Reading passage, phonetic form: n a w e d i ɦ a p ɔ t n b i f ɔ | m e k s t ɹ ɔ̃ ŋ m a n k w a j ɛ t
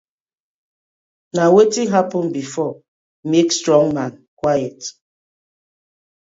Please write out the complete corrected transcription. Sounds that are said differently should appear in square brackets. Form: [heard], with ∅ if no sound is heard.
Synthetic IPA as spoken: n a w e [t] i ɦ a p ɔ [∅] n b i f ɔ | m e k s t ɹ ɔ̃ ŋ m a n k w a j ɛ t